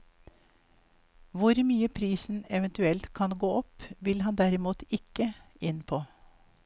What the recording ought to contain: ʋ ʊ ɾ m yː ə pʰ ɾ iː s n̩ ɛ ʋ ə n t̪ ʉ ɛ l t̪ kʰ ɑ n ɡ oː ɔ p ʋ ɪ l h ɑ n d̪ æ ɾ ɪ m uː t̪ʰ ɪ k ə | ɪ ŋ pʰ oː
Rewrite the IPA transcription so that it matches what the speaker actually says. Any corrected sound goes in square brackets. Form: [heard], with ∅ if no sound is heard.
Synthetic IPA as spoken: ʋ ʊ ɾ m yː ə pʰ ɾ iː s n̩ ɛ ʋ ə n t̪ ʉ ɛ l t̪ kʰ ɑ n ɡ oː ɔ p ʋ ɪ l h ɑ n d̪ æ ɾ ɪ m uː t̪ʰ ɪ k ə | ɪ [n] pʰ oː